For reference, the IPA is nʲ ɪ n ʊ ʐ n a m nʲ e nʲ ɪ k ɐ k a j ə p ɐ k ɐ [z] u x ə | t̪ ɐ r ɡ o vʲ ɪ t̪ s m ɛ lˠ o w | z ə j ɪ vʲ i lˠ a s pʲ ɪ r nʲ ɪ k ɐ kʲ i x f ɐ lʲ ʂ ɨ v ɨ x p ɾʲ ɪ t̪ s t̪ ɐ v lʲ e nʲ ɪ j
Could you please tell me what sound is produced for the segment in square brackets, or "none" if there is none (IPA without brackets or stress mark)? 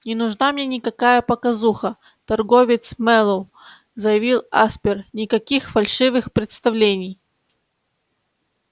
z